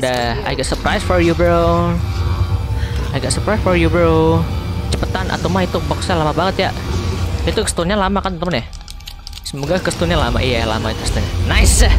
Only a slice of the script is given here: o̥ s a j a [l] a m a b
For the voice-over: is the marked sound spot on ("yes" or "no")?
yes